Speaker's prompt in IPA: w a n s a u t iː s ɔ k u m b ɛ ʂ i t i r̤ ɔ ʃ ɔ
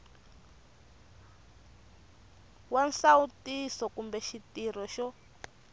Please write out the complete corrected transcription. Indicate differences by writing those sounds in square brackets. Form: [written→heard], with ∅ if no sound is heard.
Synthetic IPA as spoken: w a n s a u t [iː→i] s ɔ k u m b ɛ [ʂ→ʃ] i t i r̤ ɔ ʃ ɔ